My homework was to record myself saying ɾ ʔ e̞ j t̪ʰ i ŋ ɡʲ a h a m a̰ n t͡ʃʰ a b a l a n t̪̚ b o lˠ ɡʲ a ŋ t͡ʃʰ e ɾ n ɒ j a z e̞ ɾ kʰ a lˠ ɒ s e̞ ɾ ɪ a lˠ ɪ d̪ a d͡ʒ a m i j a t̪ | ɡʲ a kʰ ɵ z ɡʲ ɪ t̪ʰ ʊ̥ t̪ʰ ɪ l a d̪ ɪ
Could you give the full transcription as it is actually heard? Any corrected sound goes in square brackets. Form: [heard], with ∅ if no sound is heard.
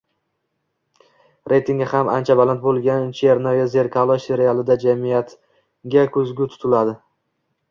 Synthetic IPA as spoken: ɾ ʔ e̞ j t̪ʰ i ŋ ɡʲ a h a m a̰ n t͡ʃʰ a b a l a n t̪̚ b o lˠ ɡʲ a [n] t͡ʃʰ e ɾ n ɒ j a z e̞ ɾ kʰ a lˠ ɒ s e̞ ɾ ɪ a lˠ ɪ d̪ a d͡ʒ a m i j a t̪ | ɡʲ a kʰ ɵ z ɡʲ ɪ t̪ʰ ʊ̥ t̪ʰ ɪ l a d̪ ɪ

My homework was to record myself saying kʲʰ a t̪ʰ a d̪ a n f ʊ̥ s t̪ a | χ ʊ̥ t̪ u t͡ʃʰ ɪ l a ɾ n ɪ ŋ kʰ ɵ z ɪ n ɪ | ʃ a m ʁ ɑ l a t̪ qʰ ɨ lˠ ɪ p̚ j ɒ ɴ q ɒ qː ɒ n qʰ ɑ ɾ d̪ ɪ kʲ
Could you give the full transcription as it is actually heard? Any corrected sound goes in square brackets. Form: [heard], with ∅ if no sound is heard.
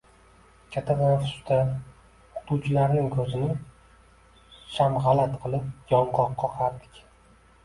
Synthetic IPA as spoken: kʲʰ a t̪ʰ a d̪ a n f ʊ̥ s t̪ a | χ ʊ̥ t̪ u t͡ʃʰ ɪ l a ɾ n ɪ ŋ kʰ ɵ z ɪ n ɪ | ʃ a m ʁ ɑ l a t̪ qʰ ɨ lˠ ɪ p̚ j ɒ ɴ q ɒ qː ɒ [∅] qʰ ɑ ɾ d̪ ɪ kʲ

